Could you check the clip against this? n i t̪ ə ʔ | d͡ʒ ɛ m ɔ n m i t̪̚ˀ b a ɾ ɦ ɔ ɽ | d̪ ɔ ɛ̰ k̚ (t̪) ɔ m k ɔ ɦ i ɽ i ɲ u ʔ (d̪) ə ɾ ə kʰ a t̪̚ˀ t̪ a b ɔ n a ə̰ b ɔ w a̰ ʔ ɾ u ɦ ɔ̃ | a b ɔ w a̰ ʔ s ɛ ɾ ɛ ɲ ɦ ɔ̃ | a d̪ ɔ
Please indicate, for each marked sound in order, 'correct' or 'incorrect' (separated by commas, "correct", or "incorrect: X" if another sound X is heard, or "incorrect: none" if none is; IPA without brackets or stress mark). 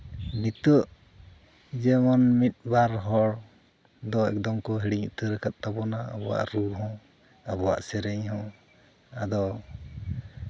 incorrect: d̪, incorrect: t̪